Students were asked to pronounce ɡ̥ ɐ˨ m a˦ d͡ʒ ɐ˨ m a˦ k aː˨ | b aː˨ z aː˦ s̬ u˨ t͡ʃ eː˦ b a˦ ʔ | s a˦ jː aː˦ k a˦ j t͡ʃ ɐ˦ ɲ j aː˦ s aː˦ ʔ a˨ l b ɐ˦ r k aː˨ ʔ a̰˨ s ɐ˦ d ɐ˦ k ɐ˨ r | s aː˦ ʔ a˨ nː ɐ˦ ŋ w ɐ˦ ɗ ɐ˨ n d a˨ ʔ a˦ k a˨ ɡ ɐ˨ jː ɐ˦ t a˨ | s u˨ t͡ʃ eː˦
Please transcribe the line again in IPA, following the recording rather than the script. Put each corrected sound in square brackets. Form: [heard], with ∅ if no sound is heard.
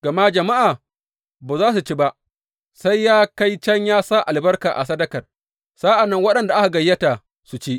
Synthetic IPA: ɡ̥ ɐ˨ m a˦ d͡ʒ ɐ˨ m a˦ [ʔ] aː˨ | b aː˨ z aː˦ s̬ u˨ t͡ʃ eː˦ b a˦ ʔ | s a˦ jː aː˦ k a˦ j t͡ʃ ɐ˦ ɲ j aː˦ s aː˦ ʔ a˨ l b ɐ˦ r k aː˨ ʔ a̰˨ s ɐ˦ d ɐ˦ k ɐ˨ r | s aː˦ ʔ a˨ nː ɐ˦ ŋ w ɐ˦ ɗ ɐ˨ n d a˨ ʔ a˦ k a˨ ɡ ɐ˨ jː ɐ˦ t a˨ | s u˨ t͡ʃ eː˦